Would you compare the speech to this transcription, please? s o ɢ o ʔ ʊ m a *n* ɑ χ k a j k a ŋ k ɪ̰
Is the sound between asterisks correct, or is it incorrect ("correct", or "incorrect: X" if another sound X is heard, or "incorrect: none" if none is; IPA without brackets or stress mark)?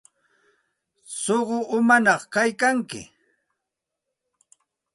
correct